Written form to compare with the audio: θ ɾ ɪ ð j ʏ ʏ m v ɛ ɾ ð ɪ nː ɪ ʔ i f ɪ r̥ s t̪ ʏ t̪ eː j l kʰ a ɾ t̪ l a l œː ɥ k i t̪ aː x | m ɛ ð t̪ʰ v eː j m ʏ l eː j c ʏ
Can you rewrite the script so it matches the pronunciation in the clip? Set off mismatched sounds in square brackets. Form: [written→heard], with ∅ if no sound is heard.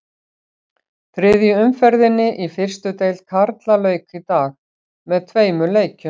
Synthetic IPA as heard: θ ɾ ɪ ð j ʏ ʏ m [v→f] ɛ ɾ ð ɪ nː ɪ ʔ i f ɪ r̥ s t̪ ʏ t̪ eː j l kʰ a ɾ t̪ l a l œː ɥ k i t̪ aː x | m ɛ ð t̪ʰ v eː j m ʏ l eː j c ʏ